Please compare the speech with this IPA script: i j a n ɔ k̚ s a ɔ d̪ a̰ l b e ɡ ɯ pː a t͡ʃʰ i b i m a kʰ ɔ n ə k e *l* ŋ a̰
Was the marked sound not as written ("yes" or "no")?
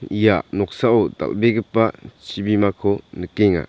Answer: yes